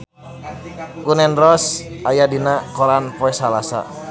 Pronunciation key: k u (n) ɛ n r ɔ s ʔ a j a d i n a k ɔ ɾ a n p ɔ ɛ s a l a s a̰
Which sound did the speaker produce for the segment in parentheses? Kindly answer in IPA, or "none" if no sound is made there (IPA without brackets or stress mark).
n